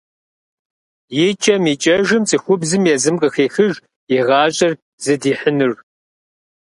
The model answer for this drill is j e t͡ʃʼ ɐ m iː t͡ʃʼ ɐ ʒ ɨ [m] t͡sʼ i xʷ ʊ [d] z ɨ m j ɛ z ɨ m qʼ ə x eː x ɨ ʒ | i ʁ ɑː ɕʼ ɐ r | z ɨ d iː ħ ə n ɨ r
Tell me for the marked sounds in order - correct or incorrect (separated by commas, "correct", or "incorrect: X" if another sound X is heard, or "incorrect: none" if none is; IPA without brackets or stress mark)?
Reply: correct, incorrect: b